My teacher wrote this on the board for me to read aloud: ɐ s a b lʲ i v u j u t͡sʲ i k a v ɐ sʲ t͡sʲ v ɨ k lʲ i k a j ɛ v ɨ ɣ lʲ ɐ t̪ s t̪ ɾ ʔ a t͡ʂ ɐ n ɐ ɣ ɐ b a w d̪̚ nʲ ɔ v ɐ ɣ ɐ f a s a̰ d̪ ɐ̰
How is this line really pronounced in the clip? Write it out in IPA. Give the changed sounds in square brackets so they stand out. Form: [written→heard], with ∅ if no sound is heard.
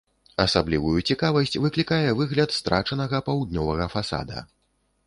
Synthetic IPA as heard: ɐ s a b lʲ i v u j u t͡sʲ i k a v ɐ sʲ t͡sʲ v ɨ k lʲ i k a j ɛ v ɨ ɣ lʲ ɐ t̪ s t̪ ɾ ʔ a t͡ʂ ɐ n ɐ ɣ ɐ [b→p] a w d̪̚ nʲ ɔ v ɐ ɣ ɐ f a s a̰ d̪ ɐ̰